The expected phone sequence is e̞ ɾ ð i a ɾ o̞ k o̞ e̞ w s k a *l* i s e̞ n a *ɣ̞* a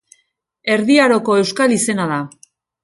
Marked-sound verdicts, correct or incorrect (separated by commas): correct, incorrect